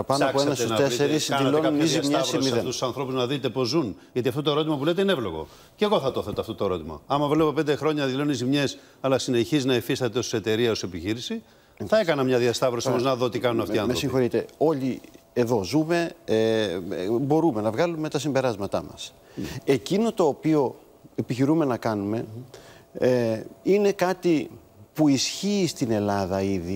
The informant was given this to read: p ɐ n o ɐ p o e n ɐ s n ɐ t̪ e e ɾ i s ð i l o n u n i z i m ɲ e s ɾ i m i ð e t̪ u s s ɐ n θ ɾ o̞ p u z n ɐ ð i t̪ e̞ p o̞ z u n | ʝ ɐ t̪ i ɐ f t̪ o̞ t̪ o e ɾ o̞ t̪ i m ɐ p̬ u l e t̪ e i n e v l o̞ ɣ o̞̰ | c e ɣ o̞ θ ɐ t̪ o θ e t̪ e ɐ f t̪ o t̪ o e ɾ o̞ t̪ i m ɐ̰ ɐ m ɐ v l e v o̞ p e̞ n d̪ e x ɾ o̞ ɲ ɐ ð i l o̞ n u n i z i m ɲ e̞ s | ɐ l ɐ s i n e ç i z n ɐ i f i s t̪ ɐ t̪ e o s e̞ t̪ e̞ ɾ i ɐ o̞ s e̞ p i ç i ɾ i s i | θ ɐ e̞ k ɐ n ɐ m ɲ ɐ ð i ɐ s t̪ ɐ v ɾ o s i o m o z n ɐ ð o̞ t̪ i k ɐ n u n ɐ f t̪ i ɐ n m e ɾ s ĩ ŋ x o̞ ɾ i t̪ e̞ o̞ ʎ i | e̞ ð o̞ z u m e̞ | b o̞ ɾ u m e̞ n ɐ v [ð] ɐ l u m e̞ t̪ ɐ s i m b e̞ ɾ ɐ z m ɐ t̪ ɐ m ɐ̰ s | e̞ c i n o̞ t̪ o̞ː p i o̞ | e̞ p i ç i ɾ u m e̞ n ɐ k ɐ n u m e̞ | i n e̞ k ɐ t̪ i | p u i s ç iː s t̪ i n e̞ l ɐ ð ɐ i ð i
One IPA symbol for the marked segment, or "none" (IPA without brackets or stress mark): ɣ